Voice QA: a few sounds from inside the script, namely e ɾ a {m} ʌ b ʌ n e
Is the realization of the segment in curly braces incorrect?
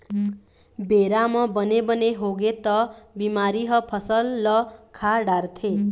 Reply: no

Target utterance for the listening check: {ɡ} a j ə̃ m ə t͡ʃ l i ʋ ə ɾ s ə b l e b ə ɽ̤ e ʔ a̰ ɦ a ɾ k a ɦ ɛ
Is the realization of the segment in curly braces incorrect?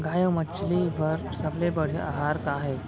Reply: no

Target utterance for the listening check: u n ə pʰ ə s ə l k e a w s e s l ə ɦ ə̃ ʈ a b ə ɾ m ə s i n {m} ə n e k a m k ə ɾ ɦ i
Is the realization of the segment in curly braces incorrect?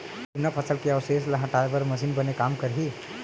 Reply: yes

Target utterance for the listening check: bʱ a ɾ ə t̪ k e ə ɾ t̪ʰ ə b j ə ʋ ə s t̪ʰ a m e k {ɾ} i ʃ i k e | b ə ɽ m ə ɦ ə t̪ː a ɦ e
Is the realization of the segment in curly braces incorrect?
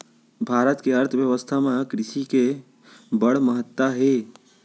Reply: no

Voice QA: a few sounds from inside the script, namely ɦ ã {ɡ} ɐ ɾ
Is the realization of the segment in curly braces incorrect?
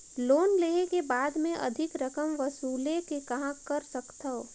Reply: yes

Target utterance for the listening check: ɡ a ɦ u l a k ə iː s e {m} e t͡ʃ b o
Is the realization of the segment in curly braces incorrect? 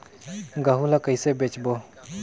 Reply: yes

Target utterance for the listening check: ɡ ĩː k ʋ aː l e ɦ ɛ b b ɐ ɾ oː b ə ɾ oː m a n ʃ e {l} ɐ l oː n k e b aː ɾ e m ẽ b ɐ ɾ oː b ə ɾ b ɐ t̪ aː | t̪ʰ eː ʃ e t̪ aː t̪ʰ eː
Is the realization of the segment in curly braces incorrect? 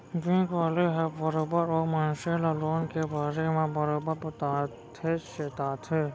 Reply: no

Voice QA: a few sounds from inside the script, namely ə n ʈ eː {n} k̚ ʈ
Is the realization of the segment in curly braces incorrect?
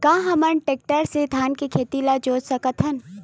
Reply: yes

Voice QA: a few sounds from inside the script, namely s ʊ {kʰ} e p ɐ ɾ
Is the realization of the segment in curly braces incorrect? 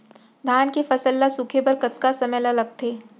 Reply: no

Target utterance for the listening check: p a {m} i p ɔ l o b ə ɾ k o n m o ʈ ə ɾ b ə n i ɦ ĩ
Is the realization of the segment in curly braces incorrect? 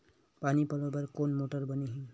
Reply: yes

